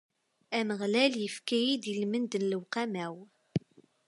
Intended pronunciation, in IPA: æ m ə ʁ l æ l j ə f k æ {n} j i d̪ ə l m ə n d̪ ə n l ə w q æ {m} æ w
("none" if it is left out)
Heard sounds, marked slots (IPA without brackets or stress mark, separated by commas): none, m